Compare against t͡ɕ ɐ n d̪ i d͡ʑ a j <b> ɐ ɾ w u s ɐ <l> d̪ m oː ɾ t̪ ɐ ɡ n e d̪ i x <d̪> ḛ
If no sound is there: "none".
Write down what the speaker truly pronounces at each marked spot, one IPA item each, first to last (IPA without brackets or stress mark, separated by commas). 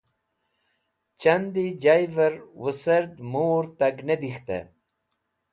v, ɾ, t̪